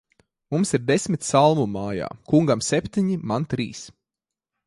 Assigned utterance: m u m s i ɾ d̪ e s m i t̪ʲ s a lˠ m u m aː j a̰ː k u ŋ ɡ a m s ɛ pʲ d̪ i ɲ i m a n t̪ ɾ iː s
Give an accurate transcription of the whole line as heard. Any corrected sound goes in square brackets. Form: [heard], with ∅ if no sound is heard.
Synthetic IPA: m u m s i ɾ d̪ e s m i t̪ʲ s a lˠ m u m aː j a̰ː k u ŋ ɡ a m s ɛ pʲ [t̪] i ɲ i m a n t̪ ɾ iː s